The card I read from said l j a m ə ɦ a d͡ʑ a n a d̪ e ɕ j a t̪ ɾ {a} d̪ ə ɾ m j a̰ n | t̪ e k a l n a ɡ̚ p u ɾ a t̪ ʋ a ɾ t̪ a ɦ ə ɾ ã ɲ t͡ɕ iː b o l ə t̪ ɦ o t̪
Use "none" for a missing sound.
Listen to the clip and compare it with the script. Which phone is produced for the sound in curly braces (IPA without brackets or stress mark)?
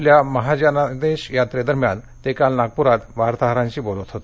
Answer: e